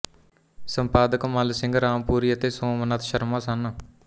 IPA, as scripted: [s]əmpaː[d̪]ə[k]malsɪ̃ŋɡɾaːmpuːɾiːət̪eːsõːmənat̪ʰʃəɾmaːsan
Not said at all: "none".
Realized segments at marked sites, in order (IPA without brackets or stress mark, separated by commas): s, d̪, k